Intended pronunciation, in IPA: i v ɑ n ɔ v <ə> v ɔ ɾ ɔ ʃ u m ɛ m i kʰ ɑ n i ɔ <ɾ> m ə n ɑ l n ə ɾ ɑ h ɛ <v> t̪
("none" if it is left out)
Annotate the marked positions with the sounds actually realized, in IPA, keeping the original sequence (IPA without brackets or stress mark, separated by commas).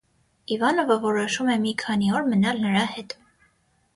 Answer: ə, ɾ, none